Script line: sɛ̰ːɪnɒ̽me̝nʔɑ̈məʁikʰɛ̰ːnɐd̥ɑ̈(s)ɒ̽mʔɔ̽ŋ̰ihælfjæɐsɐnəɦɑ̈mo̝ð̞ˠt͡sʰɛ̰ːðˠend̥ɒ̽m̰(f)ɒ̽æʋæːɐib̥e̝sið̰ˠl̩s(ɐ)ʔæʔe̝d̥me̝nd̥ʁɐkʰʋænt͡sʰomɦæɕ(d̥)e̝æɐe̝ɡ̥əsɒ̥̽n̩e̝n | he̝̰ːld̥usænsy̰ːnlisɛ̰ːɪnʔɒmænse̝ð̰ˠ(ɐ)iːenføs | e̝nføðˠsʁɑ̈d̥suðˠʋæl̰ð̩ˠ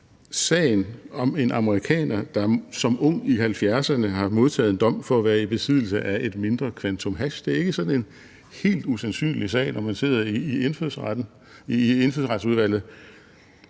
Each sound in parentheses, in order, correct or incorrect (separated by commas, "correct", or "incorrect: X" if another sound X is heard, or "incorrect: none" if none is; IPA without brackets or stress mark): correct, correct, incorrect: ə, correct, correct